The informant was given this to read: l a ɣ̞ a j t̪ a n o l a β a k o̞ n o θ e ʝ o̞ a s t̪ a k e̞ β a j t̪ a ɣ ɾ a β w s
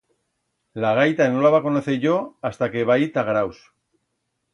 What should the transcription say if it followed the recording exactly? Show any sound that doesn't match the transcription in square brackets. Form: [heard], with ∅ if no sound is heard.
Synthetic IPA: l a ɣ̞ a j t̪ a n o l a β a k o̞ n o θ e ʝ o̞ a s t̪ a k e̞ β a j t̪ a ɣ ɾ a [∅] w s